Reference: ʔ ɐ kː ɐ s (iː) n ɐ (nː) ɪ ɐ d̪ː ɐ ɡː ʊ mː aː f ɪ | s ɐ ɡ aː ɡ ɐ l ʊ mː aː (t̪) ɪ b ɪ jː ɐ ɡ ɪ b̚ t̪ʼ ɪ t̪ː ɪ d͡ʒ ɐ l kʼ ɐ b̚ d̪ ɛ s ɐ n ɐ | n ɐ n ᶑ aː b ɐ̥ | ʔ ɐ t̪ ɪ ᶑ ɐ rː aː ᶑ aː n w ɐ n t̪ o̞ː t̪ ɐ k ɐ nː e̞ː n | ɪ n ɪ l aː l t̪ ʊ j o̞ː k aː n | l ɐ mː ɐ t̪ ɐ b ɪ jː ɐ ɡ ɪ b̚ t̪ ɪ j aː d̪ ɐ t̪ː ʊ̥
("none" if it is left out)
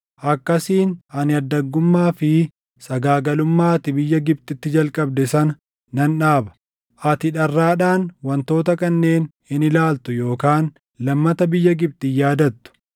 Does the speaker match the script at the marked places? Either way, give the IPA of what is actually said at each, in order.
iː, n, t̪

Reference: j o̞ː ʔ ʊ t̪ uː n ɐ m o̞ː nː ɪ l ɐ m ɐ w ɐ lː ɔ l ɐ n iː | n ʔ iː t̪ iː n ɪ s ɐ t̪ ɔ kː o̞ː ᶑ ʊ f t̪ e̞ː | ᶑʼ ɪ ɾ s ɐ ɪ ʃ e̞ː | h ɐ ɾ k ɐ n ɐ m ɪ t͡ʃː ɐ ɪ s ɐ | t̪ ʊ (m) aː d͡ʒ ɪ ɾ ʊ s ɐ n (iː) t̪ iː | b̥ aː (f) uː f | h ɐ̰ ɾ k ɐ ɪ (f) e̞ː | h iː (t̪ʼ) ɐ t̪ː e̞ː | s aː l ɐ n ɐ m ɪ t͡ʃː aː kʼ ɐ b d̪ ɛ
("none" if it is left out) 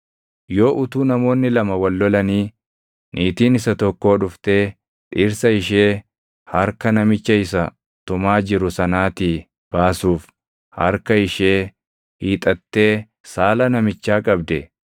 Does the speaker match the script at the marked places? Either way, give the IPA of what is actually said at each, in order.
m, aː, s, ʃ, t̪ʼ

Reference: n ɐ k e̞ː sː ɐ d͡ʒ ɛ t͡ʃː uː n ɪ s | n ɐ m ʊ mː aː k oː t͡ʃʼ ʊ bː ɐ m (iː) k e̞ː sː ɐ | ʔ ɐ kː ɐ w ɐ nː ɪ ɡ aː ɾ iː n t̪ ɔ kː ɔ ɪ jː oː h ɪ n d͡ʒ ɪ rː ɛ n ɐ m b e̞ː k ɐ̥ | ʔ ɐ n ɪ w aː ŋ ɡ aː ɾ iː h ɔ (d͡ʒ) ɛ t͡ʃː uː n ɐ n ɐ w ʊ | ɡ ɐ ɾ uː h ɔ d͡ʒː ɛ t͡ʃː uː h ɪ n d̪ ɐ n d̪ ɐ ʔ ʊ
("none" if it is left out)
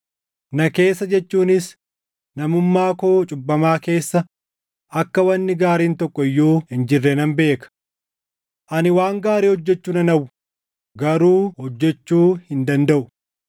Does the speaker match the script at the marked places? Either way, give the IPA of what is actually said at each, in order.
aː, d͡ʒː

